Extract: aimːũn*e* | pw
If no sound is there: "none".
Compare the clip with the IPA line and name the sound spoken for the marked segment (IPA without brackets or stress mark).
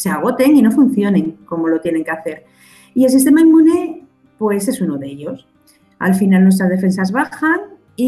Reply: e